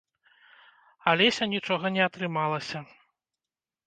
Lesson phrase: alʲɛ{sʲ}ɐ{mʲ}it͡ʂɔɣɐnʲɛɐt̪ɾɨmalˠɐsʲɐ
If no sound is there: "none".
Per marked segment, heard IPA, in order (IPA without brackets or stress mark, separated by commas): sʲ, nʲ